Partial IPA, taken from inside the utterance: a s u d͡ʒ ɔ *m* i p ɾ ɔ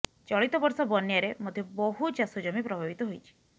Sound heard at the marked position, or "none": m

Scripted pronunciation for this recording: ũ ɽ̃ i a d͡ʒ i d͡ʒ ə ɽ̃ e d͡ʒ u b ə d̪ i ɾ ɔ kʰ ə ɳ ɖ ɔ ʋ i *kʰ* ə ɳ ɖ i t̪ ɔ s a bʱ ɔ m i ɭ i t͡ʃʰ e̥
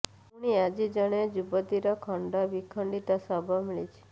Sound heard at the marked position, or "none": kʰ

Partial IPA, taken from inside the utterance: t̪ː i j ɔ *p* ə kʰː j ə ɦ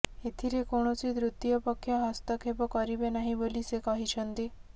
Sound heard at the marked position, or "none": p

